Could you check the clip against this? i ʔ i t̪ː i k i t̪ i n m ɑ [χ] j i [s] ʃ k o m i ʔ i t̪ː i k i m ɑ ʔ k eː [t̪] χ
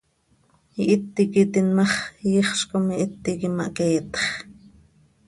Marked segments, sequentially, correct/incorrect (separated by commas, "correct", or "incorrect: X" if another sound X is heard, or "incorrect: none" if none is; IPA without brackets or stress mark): correct, incorrect: χ, correct